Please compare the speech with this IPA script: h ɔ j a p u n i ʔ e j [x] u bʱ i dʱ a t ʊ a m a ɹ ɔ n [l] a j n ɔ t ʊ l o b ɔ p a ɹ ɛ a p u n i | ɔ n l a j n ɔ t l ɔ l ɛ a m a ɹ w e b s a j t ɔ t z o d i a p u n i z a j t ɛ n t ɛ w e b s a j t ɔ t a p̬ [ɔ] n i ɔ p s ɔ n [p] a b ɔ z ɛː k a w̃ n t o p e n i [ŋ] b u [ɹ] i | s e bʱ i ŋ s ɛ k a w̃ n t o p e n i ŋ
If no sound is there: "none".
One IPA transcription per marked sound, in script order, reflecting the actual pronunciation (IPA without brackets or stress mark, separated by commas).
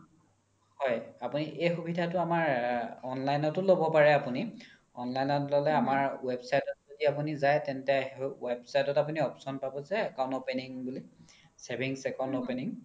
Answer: x, l, u, p, ŋ, l